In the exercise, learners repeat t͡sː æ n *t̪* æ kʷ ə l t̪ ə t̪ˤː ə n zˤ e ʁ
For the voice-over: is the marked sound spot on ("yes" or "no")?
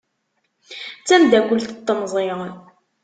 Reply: no